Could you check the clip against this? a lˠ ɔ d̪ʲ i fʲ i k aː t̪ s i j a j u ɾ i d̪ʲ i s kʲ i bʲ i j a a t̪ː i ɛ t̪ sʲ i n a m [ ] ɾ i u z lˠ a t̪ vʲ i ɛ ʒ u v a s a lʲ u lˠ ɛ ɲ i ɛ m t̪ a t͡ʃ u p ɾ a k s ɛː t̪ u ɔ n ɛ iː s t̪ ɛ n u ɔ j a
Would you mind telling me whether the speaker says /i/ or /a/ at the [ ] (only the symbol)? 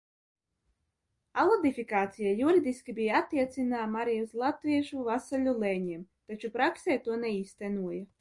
a